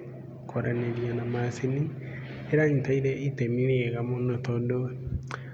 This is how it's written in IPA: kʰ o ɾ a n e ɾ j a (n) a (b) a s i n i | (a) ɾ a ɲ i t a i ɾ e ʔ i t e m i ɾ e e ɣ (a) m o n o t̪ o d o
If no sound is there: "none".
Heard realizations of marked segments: n, m, e, a

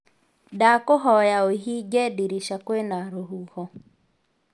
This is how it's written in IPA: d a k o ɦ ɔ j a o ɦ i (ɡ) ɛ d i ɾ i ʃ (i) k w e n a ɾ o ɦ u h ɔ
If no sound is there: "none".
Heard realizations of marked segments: ɡ, a

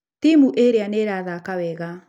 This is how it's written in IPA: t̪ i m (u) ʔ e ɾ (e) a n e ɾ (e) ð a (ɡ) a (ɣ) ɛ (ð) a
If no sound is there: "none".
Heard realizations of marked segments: u, e, a, k, w, ɣ

